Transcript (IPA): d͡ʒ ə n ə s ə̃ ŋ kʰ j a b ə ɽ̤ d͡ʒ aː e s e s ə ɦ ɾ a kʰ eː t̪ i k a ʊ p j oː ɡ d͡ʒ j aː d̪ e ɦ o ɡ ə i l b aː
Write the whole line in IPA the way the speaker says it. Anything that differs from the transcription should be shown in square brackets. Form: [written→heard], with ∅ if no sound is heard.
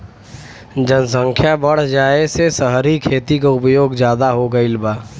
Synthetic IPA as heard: d͡ʒ ə n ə s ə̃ ŋ kʰ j a b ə ɽ̤ d͡ʒ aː e s e s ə ɦ ɾ [a→i] kʰ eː t̪ i k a ʊ p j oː ɡ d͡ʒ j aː d̪ [e→a] ɦ o ɡ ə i l b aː